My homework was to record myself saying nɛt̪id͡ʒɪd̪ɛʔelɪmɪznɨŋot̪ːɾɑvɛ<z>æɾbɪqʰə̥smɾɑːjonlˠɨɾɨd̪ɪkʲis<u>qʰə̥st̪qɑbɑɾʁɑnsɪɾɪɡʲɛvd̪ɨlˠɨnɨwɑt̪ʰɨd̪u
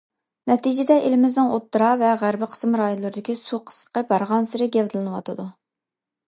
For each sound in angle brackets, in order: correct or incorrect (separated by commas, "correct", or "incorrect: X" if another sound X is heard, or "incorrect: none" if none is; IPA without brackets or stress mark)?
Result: incorrect: ʁ, correct